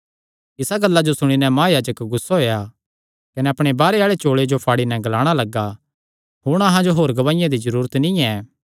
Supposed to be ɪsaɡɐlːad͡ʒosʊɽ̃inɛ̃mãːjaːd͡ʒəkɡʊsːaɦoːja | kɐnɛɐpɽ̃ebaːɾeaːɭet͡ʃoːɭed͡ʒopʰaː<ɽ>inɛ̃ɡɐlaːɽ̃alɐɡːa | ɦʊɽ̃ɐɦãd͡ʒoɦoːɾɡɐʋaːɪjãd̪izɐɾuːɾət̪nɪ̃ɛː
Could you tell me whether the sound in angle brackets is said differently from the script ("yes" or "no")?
no